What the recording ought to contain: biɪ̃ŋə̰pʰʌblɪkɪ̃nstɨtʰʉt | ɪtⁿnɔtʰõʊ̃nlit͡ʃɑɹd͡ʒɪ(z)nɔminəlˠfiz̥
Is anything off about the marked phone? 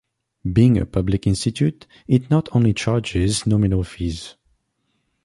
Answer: no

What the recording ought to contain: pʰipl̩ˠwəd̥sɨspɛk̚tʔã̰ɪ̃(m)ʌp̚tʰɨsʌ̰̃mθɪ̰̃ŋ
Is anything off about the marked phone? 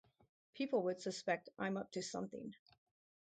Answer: no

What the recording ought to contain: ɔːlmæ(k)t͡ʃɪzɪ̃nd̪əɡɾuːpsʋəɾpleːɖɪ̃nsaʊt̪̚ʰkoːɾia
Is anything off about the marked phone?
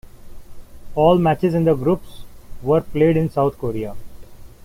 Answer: yes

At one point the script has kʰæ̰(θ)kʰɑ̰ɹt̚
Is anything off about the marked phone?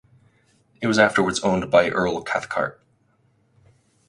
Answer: no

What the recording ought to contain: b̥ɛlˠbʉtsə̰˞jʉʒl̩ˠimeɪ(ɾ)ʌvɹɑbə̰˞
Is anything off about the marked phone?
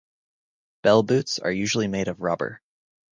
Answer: no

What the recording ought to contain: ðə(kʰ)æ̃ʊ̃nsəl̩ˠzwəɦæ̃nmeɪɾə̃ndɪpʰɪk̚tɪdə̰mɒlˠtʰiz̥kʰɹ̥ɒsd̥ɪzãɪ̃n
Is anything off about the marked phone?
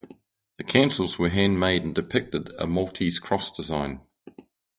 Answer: no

